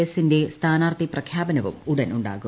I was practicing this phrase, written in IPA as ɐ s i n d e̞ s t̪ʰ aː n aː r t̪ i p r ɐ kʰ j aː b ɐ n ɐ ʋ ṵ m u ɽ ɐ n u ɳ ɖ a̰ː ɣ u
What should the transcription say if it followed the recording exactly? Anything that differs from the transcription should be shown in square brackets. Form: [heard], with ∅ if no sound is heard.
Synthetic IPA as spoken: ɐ s i n d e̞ s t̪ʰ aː n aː r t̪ i p r ɐ kʰ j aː b ɐ n ɐ ʋ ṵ m u ɽ ɐ n u ɳ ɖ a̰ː ɣ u